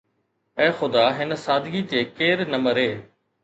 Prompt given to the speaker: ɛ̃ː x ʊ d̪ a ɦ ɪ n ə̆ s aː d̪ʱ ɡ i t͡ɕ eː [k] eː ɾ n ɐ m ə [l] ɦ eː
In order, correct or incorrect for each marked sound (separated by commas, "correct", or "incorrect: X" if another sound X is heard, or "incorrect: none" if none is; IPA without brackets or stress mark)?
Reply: correct, incorrect: ɾ